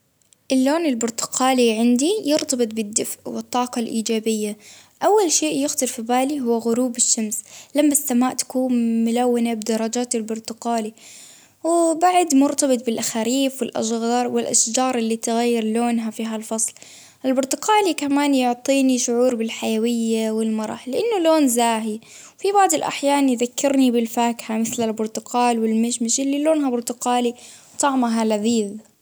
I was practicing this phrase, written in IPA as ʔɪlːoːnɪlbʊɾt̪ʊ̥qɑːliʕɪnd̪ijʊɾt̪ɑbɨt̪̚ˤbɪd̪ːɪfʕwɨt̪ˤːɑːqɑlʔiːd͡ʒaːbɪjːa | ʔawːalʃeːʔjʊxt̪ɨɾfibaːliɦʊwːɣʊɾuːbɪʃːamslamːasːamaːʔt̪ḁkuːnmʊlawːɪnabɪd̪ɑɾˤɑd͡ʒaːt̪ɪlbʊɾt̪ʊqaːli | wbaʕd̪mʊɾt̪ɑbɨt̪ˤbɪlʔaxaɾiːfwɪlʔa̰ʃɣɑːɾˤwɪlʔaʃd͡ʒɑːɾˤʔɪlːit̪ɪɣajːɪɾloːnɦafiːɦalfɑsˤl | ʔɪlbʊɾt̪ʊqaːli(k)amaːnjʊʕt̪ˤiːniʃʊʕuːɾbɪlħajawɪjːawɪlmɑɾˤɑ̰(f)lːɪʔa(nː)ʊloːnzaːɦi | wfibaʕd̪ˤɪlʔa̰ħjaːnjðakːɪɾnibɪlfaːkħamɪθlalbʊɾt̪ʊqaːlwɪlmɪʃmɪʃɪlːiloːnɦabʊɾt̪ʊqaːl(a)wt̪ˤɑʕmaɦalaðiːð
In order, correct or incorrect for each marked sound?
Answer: correct, incorrect, correct, incorrect

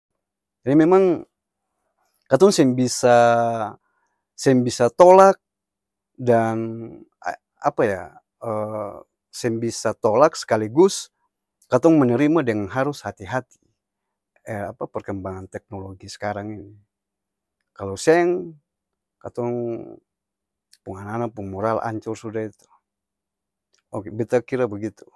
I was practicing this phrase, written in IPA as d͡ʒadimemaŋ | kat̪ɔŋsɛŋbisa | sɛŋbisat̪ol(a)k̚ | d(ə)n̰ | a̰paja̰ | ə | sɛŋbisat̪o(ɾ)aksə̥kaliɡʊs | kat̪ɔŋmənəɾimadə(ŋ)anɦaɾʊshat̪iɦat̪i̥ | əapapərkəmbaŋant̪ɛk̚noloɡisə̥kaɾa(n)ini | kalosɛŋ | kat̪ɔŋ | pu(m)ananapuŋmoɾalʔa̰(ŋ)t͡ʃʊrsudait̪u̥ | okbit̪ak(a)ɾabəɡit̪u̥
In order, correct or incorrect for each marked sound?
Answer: correct, incorrect, incorrect, correct, incorrect, incorrect, incorrect, incorrect

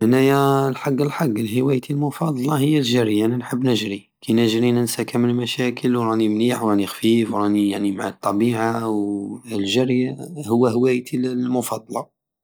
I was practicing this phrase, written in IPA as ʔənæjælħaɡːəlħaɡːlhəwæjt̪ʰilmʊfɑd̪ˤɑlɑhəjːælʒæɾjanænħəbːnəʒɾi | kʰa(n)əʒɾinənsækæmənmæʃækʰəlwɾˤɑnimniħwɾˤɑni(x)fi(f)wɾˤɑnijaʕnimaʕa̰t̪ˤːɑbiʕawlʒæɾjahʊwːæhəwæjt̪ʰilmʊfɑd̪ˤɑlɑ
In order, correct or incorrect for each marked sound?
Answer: correct, correct, correct

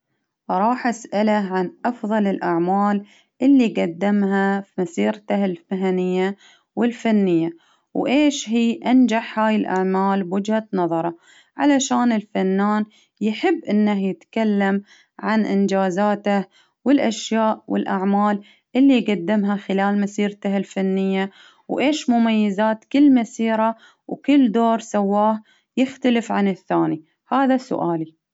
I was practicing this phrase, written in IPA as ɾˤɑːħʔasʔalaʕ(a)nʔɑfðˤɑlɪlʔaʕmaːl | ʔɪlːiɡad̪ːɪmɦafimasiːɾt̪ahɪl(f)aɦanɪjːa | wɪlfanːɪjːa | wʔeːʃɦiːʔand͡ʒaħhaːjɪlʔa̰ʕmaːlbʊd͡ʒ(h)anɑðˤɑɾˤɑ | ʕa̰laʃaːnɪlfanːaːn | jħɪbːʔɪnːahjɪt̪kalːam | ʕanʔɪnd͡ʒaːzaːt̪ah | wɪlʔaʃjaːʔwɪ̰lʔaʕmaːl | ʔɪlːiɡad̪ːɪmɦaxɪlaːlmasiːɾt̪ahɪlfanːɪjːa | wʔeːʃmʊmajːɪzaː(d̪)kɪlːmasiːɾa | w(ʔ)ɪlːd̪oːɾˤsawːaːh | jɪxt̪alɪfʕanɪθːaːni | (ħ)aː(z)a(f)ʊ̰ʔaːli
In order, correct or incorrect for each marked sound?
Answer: correct, correct, correct, incorrect, incorrect, incorrect, incorrect, incorrect

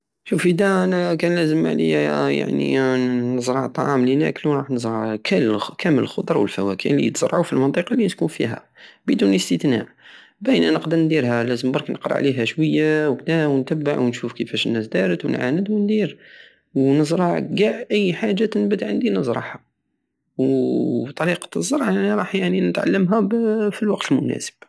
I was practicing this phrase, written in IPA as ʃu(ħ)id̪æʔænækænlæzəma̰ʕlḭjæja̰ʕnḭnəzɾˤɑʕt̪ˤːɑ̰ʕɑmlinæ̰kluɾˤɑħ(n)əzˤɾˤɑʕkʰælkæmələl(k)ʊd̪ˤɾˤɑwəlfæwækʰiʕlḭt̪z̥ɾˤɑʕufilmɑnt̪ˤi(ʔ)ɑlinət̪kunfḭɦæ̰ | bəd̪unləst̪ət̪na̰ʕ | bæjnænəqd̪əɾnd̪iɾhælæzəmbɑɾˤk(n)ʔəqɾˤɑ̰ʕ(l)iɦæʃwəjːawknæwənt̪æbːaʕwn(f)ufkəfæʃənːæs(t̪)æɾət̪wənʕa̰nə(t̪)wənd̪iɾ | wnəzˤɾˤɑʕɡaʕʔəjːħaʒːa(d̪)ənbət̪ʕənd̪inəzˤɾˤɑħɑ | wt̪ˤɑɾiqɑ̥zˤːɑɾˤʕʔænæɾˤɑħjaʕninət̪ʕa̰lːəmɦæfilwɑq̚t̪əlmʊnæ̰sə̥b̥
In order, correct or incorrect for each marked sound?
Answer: incorrect, correct, incorrect, incorrect, correct, correct, incorrect, incorrect, incorrect, incorrect

